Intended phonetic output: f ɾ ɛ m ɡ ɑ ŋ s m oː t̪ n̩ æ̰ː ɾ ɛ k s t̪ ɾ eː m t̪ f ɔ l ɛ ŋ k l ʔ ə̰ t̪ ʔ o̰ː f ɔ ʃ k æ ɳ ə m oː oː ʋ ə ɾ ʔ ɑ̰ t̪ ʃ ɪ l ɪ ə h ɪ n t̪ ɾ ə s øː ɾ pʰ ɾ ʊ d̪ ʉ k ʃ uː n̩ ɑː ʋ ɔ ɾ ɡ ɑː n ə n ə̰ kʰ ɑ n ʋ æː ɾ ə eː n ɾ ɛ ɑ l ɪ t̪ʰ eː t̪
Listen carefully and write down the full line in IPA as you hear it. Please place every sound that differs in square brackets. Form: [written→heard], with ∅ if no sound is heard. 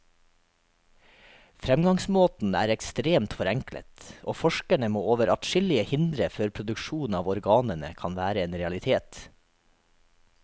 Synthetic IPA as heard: f ɾ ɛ m ɡ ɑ ŋ s m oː t̪ n̩ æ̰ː ɾ ɛ k s t̪ ɾ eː m t̪ f ɔ [l→ɾ] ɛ ŋ k l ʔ ə̰ t̪ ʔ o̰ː f ɔ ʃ k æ ɳ ə m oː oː ʋ ə ɾ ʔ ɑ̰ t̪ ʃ ɪ l ɪ ə h ɪ n [t̪→d̪] ɾ ə [s→f] øː ɾ pʰ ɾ ʊ d̪ ʉ k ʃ uː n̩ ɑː ʋ ɔ ɾ ɡ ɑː n ə n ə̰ kʰ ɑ n ʋ æː ɾ ə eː n ɾ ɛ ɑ l ɪ t̪ʰ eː t̪

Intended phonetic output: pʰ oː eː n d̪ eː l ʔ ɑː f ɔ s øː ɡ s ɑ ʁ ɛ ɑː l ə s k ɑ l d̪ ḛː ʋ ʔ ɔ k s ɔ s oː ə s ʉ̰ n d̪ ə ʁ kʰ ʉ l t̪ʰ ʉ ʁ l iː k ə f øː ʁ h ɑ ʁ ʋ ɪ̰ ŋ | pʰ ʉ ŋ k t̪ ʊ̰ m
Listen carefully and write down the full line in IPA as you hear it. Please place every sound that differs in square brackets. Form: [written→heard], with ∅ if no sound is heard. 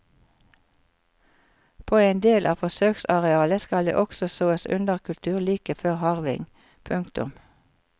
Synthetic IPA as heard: pʰ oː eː n d̪ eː l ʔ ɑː f ɔ s øː [ɡ→k] s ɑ ʁ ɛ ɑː l ə s k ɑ l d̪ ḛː [ʋ→∅] ʔ ɔ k s ɔ s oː ə s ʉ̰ n d̪ ə ʁ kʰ ʉ l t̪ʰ [ʉ→ʉː] ʁ l iː k ə f øː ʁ h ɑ ʁ ʋ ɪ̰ ŋ | pʰ ʉ ŋ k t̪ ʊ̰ m

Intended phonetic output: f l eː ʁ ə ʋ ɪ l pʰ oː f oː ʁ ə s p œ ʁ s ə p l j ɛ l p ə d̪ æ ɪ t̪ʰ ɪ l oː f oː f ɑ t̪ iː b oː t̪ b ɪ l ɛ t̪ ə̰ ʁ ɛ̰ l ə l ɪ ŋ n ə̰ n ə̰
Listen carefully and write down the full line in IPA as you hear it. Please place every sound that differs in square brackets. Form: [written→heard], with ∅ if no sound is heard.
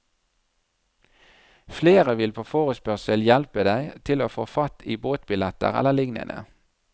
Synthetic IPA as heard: f l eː ʁ ə ʋ ɪ l pʰ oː f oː ʁ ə s p œ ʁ s ə [p→∅] l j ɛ l p ə d̪ æ ɪ t̪ʰ ɪ l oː f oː f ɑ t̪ iː b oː t̪ b ɪ l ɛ t̪ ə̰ ʁ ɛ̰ l ə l ɪ ŋ n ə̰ n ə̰

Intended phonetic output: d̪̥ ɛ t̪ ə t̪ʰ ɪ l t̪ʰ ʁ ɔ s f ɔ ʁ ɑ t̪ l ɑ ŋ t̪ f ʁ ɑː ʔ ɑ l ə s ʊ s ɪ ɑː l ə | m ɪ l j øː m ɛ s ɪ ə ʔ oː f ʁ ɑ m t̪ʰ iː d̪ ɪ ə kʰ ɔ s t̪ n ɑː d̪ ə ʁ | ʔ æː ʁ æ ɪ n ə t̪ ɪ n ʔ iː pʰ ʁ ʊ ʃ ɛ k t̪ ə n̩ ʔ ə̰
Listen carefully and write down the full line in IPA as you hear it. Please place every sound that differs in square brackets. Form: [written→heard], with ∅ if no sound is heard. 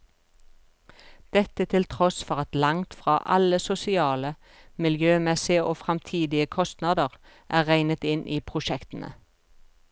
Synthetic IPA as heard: d̪̥ ɛ t̪ ə t̪ʰ ɪ l t̪ʰ ʁ ɔ s f ɔ ʁ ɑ t̪ l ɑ ŋ t̪ f ʁ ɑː ʔ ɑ l ə s ʊ s ɪ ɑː l ə | m ɪ l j øː m ɛ s ɪ ə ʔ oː f ʁ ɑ m t̪ʰ iː d̪ ɪ ə kʰ ɔ s t̪ n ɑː d̪ ə ʁ | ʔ æː ʁ æ ɪ n ə t̪ ɪ n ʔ iː pʰ ʁ ʊ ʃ ɛ k t̪ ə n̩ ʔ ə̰

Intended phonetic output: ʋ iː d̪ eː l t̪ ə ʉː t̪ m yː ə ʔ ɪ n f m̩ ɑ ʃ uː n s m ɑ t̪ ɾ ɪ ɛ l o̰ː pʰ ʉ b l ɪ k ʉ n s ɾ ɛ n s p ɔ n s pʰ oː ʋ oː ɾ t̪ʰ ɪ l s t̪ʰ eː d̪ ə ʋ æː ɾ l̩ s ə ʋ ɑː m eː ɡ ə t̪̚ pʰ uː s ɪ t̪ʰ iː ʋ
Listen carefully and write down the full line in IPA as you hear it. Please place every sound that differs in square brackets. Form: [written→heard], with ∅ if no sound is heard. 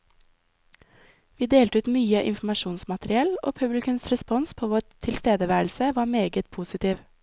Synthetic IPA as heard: ʋ iː d̪ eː l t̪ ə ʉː t̪ m yː ə ʔ ɪ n f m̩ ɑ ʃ uː n s m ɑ t̪ ɾ ɪ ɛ l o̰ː pʰ ʉ b l ɪ k ʉ n s ɾ ɛ [n→∅] s p ɔ n s pʰ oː ʋ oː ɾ t̪ʰ ɪ l s [t̪ʰ→t̪] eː d̪ ə ʋ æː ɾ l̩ s ə ʋ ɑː m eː ɡ ə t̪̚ pʰ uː s ɪ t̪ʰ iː ʋ

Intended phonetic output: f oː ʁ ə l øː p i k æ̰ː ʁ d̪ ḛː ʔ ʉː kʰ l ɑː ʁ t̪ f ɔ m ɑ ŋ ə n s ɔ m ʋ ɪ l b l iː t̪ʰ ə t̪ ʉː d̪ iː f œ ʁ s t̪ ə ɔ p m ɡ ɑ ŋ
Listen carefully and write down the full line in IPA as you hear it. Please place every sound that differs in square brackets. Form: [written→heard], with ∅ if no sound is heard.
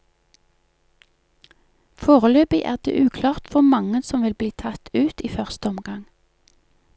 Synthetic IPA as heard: f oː ʁ ə l øː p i [k→ʔ] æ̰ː ʁ d̪ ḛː ʔ ʉː kʰ l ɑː ʁ t̪ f ɔ m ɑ ŋ ə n s ɔ m ʋ ɪ l b l iː t̪ʰ [ə→ɑ] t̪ ʉː [d̪→t̪] iː f œ ʁ s t̪ ə ɔ [p→∅] m ɡ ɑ ŋ

